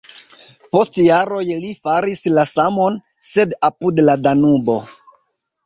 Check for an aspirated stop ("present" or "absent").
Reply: absent